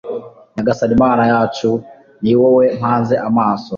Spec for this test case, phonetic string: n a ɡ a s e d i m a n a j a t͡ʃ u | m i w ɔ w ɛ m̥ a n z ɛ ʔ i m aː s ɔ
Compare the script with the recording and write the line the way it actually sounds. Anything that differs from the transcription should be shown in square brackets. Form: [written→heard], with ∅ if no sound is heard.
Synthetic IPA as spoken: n a ɡ a s [e→a] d i m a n a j a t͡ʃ u | [m→n] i w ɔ w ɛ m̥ a n z ɛ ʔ [i→a] m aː s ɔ